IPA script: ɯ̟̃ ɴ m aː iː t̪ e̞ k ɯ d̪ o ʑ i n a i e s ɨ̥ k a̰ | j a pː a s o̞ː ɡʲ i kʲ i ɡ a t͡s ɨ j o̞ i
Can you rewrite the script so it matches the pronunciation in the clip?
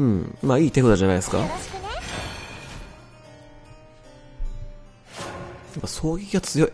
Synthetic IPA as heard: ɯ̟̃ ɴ m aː iː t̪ e̞ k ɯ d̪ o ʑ a n a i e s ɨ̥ k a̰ | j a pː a s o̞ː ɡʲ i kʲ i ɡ a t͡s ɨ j o̞ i